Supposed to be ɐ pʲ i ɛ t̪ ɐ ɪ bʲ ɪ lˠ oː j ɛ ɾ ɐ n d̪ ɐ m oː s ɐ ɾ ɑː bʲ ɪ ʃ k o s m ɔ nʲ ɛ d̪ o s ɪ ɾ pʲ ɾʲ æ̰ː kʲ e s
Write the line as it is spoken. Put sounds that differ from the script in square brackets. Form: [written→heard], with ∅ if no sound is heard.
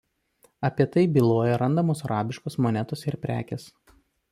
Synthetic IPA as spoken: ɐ pʲ i ɛ t̪ ɐ ɪ bʲ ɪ lˠ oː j ɛ ɾ ɐ n d̪ ɐ m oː s ɐ ɾ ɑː bʲ ɪ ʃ k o s m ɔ nʲ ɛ [d̪→t̪] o s ɪ ɾ pʲ ɾʲ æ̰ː kʲ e s